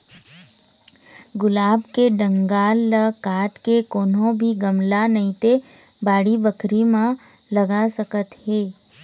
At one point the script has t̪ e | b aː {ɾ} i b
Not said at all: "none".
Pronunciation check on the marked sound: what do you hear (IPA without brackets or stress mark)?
ɽ